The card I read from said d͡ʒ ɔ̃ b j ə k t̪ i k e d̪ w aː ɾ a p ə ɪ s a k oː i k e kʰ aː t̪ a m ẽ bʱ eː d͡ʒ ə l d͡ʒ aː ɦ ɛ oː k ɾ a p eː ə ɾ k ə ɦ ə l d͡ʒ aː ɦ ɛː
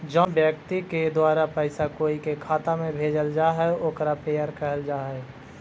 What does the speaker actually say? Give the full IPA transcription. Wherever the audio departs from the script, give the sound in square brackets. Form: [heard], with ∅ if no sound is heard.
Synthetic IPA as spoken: d͡ʒ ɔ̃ b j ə k t̪ i k e d̪ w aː ɾ a p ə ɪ s a k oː i k e kʰ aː t̪ a m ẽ bʱ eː d͡ʒ ə l d͡ʒ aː ɦ ɛ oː k ɾ a p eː ə ɾ k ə ɦ ə l d͡ʒ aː ɦ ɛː